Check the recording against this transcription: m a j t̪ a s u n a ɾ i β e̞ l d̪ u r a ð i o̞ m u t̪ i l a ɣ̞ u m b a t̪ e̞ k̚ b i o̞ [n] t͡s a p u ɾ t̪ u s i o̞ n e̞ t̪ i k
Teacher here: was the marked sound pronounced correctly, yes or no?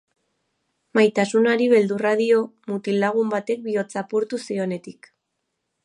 no